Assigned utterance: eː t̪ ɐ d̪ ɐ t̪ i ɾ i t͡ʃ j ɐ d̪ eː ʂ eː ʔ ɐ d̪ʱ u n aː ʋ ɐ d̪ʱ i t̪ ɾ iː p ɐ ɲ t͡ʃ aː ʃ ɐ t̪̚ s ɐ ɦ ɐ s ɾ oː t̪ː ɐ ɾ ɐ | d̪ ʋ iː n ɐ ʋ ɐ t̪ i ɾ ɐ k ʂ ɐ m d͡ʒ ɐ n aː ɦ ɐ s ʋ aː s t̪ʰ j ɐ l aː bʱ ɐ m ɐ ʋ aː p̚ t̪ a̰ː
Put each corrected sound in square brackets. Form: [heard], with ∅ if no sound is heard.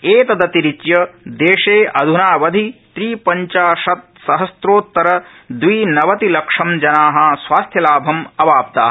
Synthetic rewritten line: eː t̪ ɐ d̪ ɐ t̪ i ɾ i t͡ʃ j ɐ d̪ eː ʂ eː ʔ ɐ d̪ʱ u n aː ʋ ɐ d̪ʱ i t̪ ɾ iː p ɐ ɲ t͡ʃ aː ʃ ɐ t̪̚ s ɐ ɦ ɐ s ɾ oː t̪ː ɐ ɾ ɐ | d̪ ʋ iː n ɐ ʋ ɐ t̪ i [l] ɐ k ʂ ɐ m d͡ʒ ɐ n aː ɦ ɐ s ʋ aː s t̪ʰ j ɐ l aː bʱ ɐ m ɐ ʋ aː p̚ t̪ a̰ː